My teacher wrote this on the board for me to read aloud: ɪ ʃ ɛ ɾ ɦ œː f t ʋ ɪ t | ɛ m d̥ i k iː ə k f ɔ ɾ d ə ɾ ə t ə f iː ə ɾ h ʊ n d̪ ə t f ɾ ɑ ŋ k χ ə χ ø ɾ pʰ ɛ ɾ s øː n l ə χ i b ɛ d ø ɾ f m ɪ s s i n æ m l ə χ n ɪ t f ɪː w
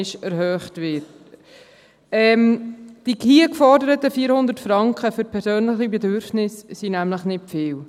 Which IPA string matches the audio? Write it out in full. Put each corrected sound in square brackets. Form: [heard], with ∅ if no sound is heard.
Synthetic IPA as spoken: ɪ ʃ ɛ ɾ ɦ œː [χ] t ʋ ɪ t | ɛ m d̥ i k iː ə k f ɔ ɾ d ə ɾ ə t ə f iː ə ɾ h ʊ n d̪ ə t f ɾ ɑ ŋ k χ ə [f] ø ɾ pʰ ɛ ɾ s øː n l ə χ i b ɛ d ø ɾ f [n] ɪ s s i n æ m l ə χ n ɪ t f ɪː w